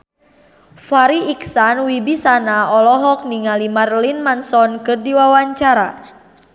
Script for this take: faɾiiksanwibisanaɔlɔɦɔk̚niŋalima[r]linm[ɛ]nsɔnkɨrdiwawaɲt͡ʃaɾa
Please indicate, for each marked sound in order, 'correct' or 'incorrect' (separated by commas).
correct, incorrect